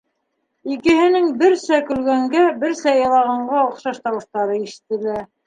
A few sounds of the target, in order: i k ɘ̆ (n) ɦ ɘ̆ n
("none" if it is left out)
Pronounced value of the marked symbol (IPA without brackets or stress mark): none